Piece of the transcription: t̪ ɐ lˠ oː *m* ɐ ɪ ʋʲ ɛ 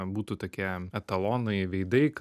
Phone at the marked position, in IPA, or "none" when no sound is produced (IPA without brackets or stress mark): n